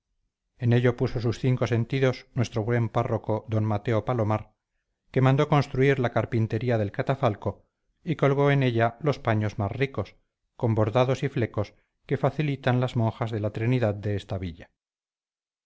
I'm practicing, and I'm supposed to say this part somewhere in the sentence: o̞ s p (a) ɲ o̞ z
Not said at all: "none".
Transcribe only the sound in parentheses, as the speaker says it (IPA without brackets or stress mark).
a